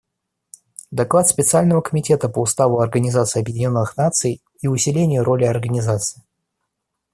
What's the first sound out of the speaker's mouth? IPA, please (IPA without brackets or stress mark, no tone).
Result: d̪